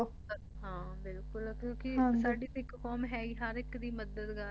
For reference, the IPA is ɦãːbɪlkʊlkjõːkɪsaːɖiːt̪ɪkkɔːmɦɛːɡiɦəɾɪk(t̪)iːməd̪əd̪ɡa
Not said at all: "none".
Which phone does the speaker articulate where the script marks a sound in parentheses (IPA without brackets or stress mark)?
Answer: d̪